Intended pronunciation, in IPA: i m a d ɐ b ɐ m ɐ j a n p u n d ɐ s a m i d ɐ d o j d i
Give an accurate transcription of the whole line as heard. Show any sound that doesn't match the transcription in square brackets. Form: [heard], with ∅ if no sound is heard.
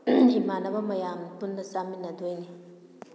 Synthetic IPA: i m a [n] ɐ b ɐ m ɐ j a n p u n d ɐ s a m i [n] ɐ d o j [n] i